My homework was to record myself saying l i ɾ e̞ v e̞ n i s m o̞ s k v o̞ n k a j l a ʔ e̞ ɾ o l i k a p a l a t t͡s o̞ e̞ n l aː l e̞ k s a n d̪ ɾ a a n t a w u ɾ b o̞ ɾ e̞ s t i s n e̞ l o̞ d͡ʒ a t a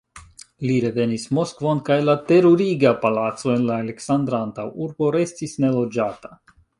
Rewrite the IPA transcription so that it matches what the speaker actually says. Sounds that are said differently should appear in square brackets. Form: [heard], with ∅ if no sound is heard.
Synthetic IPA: l i ɾ e̞ v e̞ n i s m o̞ s k v o̞ n k a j l a [t] e̞ ɾ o [ɾ] i [ɡ] a p a l a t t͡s o̞ e̞ n l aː l e̞ k s a n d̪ ɾ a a n t a w u ɾ b o̞ ɾ e̞ s t i s n e̞ l o̞ d͡ʒ a t a